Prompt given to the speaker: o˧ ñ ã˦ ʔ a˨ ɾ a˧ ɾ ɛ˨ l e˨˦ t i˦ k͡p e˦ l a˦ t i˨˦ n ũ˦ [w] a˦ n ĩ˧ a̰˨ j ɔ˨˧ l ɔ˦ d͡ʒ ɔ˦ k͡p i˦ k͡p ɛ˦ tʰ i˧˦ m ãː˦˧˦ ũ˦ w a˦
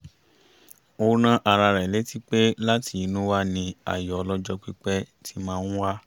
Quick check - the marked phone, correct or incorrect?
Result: correct